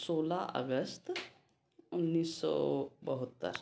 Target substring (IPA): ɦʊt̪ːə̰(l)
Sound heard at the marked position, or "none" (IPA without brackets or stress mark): ɾ